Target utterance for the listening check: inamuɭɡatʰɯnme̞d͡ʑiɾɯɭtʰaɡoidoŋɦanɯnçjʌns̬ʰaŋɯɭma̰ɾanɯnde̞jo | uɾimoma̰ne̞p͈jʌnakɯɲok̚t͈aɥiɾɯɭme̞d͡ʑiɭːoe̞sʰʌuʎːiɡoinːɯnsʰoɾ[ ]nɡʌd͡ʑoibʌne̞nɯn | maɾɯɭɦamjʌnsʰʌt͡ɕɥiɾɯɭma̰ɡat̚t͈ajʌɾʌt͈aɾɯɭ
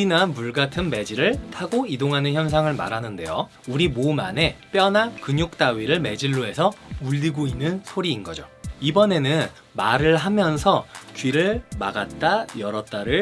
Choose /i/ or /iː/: iː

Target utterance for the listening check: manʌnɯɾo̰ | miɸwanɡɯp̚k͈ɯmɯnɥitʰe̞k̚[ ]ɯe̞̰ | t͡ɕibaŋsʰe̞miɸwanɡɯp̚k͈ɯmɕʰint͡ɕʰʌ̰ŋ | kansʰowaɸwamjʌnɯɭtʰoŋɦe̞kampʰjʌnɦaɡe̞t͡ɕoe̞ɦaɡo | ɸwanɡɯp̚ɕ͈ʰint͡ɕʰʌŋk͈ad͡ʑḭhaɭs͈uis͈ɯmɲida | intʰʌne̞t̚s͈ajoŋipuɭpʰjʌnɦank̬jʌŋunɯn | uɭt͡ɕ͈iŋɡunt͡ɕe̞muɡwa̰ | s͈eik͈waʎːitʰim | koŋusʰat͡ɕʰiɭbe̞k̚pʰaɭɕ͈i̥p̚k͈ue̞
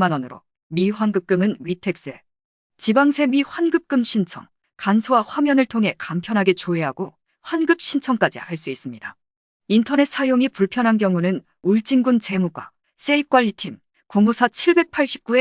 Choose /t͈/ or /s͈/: s͈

